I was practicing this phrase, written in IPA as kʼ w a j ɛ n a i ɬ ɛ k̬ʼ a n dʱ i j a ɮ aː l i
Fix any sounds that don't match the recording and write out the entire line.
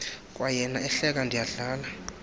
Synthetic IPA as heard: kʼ w a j ɛ n a ɛ ɬ ɛ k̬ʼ a n dʱ i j a ɮ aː l a